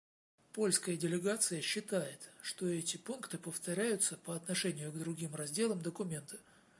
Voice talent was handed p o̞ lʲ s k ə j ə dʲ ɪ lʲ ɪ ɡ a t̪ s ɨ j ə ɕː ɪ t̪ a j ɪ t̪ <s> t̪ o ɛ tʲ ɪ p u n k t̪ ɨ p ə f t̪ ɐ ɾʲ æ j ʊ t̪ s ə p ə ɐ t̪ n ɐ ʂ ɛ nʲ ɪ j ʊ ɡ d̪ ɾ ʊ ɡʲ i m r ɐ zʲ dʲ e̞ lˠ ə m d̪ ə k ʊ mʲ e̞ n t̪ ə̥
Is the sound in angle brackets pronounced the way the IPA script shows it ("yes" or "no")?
no